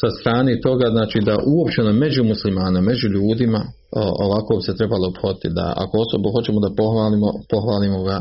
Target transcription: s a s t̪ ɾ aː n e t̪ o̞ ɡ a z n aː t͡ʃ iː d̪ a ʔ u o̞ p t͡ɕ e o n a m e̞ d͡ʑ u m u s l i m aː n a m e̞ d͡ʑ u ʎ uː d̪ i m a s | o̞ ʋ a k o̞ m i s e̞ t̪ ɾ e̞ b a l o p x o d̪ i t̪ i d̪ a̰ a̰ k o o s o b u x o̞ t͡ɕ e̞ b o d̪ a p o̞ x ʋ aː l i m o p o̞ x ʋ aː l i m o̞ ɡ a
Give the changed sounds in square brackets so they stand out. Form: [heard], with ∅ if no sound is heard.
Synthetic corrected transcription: s a s t̪ ɾ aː n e t̪ o̞ ɡ a z n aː t͡ʃ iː d̪ a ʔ u o̞ p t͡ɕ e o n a m e̞ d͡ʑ u m u s l i m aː n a m e̞ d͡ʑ u ʎ uː d̪ i m a [∅] | o̞ ʋ a k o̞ [b] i s e̞ t̪ ɾ e̞ b a l o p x o d̪ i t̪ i d̪ a̰ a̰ k o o s o b u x o̞ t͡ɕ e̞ [m] o d̪ a p o̞ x ʋ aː l i m o p o̞ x ʋ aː l i m o̞ ɡ a